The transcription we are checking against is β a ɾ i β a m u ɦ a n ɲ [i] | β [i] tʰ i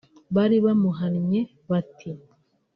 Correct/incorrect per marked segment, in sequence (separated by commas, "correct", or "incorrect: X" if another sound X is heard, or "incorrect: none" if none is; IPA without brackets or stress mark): incorrect: e, incorrect: a